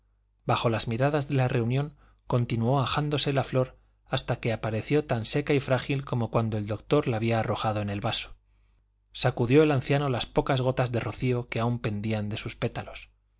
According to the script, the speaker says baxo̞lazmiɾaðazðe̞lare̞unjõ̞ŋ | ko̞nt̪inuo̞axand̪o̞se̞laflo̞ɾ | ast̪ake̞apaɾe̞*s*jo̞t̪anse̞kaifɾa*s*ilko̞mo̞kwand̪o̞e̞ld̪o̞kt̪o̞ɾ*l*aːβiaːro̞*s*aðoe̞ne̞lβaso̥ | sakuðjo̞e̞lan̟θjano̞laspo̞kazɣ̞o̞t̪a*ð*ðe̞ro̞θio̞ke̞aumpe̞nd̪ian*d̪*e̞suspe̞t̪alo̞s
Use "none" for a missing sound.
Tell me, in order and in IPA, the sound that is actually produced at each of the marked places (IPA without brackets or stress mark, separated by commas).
θ, x, l, x, z, d̪